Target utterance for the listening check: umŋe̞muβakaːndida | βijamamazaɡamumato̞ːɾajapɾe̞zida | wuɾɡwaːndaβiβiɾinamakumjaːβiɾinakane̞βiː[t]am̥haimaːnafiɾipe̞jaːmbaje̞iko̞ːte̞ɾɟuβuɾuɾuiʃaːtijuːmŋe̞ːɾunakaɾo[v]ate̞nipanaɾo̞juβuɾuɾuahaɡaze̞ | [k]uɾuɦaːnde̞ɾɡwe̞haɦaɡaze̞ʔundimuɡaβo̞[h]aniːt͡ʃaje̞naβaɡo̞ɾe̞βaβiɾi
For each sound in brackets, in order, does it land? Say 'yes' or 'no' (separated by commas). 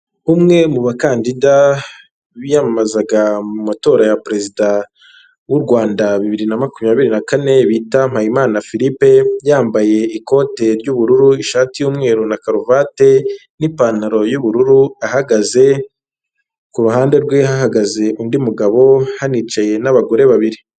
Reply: yes, yes, yes, yes